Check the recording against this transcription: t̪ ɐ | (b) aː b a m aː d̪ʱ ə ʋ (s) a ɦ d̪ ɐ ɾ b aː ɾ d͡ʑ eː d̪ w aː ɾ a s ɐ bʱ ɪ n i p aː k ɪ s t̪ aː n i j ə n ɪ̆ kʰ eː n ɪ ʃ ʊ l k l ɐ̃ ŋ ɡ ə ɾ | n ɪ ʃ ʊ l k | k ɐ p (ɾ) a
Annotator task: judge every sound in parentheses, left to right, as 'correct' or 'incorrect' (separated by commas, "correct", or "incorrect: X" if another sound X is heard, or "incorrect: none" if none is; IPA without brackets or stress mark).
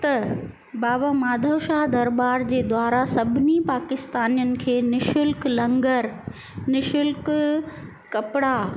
correct, incorrect: ʃ, incorrect: ɽ